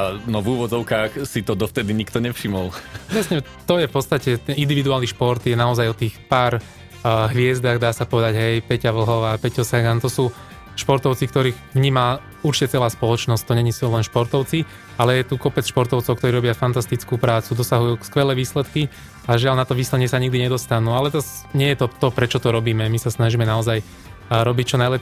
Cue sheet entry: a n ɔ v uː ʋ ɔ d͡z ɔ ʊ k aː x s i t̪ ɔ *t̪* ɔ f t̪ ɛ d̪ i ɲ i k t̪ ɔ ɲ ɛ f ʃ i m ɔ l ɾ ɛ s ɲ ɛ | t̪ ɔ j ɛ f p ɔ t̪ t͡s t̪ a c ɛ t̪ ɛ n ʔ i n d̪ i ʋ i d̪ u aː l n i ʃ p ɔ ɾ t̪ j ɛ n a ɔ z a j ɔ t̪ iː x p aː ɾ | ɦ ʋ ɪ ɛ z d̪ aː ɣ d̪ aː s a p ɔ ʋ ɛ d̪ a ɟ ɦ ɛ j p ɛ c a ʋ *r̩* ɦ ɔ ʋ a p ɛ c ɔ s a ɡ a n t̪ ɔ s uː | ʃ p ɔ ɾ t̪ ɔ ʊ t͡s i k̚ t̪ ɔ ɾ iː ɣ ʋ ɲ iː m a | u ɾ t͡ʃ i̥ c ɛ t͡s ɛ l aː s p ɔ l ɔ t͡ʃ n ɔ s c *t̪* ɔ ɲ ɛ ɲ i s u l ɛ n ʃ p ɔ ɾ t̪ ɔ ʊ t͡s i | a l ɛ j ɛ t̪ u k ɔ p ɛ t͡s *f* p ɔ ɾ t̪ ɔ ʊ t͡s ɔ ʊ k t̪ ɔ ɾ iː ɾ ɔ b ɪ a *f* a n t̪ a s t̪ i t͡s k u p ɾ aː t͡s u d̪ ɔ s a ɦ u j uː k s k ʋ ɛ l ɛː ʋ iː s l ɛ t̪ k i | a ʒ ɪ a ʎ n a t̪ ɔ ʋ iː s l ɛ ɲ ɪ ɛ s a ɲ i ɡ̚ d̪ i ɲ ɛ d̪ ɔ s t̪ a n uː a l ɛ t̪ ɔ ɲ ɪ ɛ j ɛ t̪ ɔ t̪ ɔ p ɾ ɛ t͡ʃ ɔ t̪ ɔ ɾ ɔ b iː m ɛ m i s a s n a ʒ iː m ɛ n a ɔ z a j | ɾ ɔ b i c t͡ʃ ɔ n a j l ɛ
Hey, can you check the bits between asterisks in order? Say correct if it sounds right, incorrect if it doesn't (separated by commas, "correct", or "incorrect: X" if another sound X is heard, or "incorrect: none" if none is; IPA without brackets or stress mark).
incorrect: d̪, incorrect: l̩, correct, incorrect: ʃ, correct